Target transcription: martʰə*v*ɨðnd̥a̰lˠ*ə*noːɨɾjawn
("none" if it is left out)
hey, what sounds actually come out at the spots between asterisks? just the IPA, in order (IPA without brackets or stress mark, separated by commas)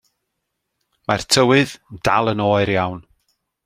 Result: w, ə